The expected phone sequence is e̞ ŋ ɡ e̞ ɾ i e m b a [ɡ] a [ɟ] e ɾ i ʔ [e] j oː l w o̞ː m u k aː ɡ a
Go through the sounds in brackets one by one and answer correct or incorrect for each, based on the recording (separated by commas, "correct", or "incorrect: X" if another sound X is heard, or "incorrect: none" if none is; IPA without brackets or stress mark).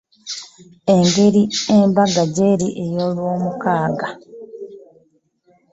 correct, correct, correct